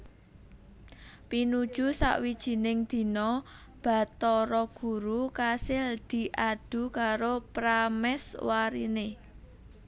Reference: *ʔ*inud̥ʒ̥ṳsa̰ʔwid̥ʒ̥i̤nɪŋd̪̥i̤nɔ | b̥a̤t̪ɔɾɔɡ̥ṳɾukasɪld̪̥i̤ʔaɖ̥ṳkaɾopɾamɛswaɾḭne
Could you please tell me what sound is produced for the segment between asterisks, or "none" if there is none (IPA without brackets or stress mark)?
p